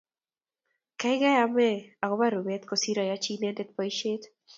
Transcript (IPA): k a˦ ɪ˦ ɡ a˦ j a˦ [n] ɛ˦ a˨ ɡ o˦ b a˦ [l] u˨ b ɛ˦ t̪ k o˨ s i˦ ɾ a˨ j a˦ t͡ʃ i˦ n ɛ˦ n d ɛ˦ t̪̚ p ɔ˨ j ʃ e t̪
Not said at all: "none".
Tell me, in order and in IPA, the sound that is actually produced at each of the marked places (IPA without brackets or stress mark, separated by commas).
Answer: m, ɾ